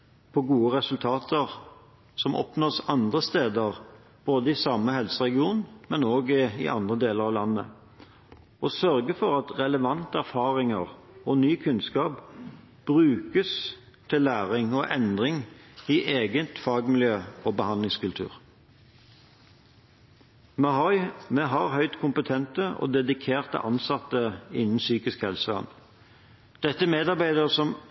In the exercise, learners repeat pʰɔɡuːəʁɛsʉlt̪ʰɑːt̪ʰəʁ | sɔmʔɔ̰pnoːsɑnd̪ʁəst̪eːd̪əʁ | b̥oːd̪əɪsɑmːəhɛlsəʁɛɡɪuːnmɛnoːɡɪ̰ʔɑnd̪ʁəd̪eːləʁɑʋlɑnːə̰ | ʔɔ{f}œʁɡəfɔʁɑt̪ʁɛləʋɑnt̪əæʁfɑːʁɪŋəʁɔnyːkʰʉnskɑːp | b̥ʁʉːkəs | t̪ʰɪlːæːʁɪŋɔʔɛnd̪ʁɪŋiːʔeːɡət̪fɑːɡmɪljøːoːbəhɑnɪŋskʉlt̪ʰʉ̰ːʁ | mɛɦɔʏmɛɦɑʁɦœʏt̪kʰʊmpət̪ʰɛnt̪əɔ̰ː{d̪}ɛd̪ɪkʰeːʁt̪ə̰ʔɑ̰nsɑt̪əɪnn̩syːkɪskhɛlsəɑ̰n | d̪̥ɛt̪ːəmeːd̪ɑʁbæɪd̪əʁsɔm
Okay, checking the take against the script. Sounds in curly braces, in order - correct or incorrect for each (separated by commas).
incorrect, correct